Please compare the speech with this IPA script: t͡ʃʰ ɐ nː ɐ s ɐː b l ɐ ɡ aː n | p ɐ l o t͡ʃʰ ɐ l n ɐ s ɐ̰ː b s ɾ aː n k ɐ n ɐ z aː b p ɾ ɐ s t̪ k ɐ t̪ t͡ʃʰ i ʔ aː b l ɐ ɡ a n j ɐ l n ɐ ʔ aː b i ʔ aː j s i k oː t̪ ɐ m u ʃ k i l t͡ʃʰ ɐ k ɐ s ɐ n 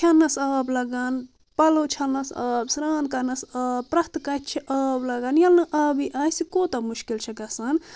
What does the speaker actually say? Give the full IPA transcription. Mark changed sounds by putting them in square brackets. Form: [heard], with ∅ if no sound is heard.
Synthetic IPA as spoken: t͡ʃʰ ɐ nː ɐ s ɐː b l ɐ ɡ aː n | p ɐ l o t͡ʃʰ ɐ l n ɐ s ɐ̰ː b s ɾ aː n k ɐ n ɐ [s] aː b p ɾ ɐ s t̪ k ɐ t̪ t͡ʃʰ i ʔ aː b l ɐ ɡ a n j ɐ l n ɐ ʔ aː b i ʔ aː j s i k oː t̪ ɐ m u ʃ k i l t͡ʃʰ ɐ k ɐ s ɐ n